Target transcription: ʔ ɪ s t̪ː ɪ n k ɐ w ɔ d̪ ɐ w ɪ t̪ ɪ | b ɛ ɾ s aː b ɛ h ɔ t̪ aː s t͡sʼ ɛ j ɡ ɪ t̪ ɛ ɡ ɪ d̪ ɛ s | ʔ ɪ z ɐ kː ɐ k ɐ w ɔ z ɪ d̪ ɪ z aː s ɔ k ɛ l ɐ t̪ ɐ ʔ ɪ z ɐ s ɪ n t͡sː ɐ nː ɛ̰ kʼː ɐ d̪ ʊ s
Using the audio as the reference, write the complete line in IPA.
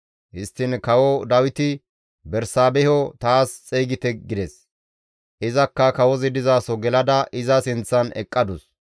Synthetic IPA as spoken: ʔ ɪ s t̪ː ɪ n k ɐ w ɔ d̪ ɐ w ɪ t̪ ɪ | b ɛ ɾ s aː b ɛ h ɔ t̪ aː s t͡sʼ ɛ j ɡ ɪ t̪ ɛ ɡ ɪ d̪ ɛ s | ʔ ɪ z ɐ kː ɐ k ɐ w ɔ z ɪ d̪ ɪ z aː s ɔ ɡ ɛ l ɐ d̪ ɐ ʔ ɪ z ɐ s ɪ n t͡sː ɐ n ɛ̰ kʼː ɐ d̪ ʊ s